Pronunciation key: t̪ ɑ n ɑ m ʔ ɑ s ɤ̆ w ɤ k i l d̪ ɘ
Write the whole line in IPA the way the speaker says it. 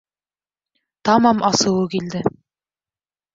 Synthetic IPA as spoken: t̪ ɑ m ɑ m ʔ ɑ s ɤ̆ w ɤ k i l d̪ ɘ